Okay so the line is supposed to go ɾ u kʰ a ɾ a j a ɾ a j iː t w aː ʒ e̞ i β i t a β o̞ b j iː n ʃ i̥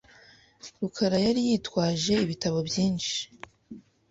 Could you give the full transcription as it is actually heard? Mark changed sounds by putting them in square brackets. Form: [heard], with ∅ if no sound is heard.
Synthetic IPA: ɾ u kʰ a ɾ a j a ɾ [i] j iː t w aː ʒ e̞ i β i t a β o̞ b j iː n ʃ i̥

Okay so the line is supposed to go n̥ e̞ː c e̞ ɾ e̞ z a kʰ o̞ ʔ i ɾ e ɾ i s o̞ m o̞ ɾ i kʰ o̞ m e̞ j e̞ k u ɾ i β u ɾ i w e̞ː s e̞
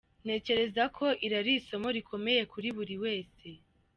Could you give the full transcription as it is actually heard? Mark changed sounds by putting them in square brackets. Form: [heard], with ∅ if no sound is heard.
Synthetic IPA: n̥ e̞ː c e̞ ɾ e̞ z a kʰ o̞ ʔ i ɾ [a] ɾ i s o̞ m o̞ ɾ i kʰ o̞ m e̞ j e̞ k u ɾ i β u ɾ i w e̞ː s e̞

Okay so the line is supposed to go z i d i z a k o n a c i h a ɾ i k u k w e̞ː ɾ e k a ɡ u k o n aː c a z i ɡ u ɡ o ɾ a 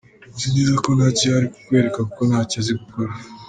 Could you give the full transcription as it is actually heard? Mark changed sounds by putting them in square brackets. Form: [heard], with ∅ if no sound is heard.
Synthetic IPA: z i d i z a k o n a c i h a ɾ i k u k w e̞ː ɾ e k a [k] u k o n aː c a z i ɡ u [k] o ɾ a

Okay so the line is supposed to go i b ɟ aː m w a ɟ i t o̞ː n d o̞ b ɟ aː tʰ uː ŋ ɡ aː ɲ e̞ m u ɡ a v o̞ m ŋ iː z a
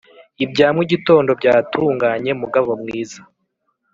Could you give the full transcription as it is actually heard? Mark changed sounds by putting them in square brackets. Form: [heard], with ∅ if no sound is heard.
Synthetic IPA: i b ɟ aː m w [i] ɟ i t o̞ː n d o̞ b ɟ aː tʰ uː ŋ ɡ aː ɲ e̞ m u ɡ a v o̞ m ŋ iː z a

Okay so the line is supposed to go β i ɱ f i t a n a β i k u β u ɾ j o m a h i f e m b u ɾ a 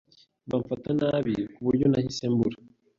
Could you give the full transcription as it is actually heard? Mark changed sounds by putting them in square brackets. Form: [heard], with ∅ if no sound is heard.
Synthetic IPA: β [a] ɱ f [a] t a n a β i k u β u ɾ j o [n] a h i [s] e m b u ɾ a

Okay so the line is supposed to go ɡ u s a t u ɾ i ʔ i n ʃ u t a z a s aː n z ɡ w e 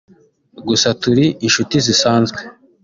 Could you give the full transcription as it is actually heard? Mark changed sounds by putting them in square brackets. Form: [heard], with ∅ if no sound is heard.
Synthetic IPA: ɡ u s a t u ɾ i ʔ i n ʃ u t [i] z [i] s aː n z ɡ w e

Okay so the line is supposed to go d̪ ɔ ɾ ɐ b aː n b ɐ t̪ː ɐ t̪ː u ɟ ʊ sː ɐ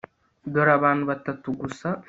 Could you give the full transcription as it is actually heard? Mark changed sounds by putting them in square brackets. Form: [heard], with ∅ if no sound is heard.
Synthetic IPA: d̪ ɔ ɾ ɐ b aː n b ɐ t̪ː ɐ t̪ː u [ɡ] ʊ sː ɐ

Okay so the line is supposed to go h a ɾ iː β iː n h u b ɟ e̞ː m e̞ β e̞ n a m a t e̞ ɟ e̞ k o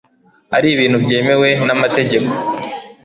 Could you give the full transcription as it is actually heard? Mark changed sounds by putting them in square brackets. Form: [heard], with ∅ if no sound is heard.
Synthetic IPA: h a ɾ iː β iː n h u b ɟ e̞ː m e̞ [w] e̞ n a m a t e̞ ɟ e̞ k o

